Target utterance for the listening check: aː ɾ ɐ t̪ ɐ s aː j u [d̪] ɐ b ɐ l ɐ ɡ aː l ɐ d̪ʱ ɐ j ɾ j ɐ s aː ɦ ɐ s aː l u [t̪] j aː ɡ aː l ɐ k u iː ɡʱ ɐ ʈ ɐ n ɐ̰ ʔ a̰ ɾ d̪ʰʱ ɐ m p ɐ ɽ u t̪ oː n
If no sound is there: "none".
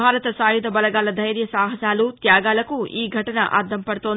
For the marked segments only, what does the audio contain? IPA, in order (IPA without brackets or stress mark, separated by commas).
d̪, t̪